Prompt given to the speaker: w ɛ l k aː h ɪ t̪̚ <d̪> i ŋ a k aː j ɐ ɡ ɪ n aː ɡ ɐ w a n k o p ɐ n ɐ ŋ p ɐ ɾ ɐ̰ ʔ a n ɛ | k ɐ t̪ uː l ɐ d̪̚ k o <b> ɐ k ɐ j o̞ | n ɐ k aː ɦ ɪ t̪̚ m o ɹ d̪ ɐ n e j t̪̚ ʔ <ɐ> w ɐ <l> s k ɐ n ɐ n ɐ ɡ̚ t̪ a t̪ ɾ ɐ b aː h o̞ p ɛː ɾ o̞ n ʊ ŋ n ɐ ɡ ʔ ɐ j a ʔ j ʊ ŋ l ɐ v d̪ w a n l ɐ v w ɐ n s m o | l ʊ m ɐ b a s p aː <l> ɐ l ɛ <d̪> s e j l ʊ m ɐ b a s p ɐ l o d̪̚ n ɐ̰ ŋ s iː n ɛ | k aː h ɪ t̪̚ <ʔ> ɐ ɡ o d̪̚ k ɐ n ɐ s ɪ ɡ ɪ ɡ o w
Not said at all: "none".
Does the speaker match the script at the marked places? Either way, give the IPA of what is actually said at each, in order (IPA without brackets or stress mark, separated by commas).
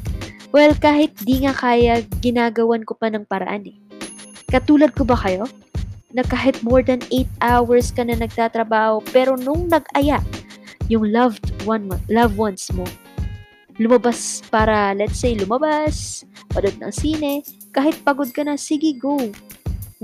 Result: d̪, b, a, ɹ, ɾ, t̪, p